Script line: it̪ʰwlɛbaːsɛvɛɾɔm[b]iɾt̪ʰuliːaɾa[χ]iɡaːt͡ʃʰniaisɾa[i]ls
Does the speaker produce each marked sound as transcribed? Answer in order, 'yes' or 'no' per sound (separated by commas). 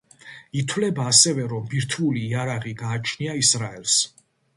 yes, no, no